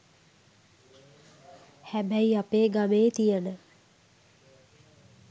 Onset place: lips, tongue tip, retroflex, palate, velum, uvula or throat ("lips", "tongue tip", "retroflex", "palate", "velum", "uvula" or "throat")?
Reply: throat